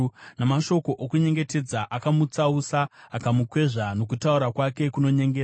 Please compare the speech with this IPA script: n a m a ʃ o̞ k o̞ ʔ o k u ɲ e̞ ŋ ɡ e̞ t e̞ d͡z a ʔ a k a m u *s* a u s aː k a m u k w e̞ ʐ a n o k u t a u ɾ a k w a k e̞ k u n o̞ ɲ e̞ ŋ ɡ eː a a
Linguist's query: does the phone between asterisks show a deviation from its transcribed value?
yes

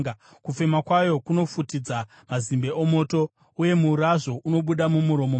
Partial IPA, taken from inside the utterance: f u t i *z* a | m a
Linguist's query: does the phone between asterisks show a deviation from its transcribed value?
yes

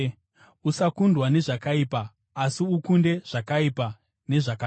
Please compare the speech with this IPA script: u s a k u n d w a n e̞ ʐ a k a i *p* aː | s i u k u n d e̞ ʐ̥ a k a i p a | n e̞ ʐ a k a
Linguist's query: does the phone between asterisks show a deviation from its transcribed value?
no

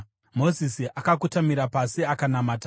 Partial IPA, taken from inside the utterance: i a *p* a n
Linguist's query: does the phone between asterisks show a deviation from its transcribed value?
yes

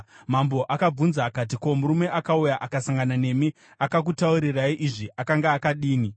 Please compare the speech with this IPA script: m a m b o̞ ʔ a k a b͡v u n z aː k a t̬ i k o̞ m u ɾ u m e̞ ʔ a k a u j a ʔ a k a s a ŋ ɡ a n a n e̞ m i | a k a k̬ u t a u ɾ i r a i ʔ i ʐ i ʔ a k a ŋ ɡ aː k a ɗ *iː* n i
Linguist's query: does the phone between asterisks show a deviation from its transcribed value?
no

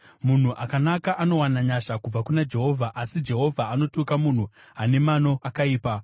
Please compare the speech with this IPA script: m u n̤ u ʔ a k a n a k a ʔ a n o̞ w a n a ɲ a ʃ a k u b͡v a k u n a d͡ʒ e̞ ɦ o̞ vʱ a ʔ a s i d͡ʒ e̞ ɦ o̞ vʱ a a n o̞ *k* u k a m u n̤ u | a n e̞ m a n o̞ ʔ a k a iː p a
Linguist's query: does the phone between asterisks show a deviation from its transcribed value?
yes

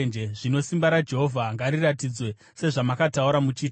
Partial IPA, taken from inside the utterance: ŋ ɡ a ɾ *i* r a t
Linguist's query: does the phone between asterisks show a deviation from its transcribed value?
no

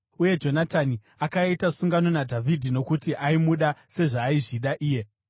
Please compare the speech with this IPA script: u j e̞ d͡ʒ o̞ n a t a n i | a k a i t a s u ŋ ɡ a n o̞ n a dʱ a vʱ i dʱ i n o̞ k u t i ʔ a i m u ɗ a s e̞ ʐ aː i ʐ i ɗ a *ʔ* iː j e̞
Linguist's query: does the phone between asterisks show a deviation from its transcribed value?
no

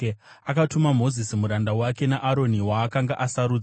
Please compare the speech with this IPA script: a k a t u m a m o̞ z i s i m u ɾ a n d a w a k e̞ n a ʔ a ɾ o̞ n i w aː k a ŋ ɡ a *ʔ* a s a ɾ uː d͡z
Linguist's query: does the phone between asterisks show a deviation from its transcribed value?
no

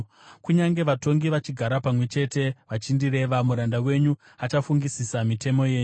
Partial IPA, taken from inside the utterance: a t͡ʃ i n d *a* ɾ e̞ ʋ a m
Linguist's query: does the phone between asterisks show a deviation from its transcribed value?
yes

